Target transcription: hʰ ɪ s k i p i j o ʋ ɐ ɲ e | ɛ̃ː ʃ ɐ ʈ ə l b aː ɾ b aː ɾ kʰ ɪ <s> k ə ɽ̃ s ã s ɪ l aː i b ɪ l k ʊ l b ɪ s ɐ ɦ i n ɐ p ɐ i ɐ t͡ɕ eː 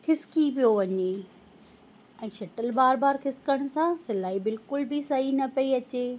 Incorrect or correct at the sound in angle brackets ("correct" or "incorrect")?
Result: correct